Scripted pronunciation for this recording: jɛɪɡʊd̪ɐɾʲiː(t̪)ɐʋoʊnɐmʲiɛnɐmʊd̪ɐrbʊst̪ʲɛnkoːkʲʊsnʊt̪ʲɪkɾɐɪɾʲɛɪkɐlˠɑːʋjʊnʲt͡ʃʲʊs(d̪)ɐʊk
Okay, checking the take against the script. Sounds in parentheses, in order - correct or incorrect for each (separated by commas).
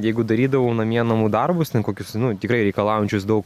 incorrect, correct